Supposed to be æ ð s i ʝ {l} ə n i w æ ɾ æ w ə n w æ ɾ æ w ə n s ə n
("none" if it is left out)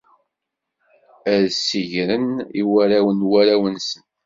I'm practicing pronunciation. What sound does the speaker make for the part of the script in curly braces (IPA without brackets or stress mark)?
ɾ